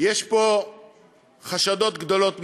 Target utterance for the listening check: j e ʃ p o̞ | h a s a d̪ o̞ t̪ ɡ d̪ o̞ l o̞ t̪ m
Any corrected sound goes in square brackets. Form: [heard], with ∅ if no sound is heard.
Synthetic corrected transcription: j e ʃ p o̞ | [χ] a [ʃ] a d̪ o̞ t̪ ɡ d̪ o̞ l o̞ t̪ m